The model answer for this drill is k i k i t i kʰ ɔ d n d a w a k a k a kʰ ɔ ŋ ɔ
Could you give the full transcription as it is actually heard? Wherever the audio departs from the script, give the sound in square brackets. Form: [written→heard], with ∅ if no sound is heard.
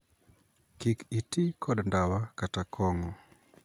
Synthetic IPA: k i k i t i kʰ ɔ d n d a w a k a [k→t] a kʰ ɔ ŋ ɔ